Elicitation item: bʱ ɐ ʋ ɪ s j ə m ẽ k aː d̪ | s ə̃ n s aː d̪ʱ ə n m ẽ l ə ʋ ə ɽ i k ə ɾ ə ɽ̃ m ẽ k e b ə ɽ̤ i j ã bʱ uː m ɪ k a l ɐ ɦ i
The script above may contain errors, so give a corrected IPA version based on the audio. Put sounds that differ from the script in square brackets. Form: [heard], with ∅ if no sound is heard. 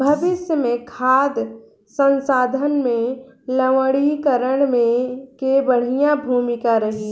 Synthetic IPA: bʱ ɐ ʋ ɪ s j ə m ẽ [kʰ] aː d̪ | s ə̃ n s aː d̪ʱ ə n m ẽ l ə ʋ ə ɽ i k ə ɾ ə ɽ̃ m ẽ k e b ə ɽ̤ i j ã bʱ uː m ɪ k a [ɾ] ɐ ɦ i